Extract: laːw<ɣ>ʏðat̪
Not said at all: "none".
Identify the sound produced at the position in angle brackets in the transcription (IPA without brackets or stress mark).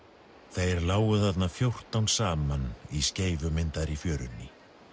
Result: ɣ